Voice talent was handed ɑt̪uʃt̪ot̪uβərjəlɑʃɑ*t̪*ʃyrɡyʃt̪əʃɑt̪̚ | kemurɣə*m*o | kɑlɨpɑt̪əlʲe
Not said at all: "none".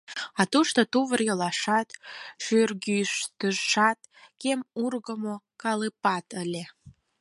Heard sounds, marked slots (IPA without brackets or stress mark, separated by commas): t̪, m